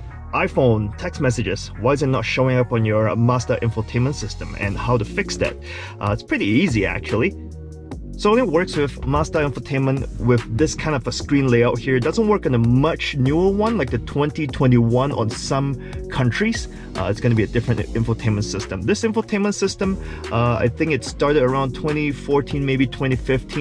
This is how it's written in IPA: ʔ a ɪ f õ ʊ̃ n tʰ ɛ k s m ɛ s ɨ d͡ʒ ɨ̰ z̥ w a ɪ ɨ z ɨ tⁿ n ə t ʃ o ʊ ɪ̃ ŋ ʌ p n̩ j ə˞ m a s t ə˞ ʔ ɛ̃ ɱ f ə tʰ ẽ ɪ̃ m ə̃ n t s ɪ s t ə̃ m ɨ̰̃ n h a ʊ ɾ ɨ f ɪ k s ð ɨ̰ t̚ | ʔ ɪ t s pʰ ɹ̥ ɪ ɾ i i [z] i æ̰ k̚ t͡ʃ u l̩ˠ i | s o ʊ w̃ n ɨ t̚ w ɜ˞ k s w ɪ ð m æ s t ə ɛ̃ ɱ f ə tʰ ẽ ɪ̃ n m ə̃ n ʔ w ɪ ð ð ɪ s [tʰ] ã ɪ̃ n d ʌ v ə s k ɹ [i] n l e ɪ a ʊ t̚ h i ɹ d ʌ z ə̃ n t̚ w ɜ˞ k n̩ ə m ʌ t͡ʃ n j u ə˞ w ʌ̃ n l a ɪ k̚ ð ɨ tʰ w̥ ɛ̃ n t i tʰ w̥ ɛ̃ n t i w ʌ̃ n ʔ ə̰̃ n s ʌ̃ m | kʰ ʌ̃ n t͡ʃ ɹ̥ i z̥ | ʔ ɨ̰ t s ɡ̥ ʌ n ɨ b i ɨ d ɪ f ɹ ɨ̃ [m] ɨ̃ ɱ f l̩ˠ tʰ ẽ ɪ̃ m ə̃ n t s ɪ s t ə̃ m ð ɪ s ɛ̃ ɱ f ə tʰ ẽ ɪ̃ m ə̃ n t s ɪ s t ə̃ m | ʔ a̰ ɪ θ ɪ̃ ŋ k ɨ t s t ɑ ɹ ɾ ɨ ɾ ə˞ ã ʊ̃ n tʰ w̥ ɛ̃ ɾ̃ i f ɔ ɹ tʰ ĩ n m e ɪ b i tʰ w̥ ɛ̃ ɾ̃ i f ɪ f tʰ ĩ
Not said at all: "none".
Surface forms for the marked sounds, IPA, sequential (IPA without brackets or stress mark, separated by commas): z, kʰ, ĩ, n